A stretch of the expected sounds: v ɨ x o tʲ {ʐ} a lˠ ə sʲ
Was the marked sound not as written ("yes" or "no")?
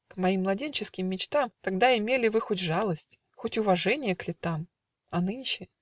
no